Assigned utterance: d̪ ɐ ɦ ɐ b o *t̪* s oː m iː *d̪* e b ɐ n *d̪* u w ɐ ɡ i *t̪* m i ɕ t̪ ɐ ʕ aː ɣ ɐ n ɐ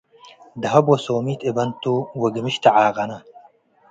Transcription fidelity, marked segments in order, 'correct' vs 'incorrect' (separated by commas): incorrect, incorrect, incorrect, incorrect